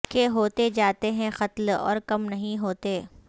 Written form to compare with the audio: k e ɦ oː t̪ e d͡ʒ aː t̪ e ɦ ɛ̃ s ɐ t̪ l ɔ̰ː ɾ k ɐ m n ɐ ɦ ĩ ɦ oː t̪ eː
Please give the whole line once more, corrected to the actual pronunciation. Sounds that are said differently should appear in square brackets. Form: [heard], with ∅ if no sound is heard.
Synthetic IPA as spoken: k e ɦ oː t̪ e d͡ʒ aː t̪ e ɦ ɛ̃ [x] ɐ t̪ l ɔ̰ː ɾ k ɐ m n ɐ ɦ ĩ ɦ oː t̪ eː